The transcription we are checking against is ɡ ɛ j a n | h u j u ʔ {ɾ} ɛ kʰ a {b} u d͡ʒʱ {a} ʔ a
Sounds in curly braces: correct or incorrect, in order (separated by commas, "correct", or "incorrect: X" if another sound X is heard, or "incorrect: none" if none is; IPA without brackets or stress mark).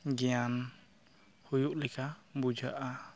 incorrect: l, correct, correct